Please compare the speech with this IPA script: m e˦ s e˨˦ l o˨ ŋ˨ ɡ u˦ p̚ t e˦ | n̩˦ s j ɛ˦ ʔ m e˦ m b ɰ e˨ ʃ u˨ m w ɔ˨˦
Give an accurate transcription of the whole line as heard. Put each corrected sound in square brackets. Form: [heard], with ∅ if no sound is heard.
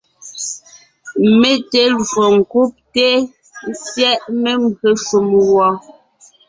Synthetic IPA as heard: m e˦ [t] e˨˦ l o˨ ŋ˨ [k] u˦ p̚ t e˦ | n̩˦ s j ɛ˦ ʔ m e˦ m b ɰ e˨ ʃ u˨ m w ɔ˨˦